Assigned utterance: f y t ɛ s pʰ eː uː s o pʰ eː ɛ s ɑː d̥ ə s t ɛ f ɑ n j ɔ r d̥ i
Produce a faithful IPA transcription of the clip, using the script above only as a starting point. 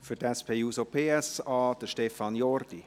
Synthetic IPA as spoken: f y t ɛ s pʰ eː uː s o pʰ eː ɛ s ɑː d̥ ə ʃ t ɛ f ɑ n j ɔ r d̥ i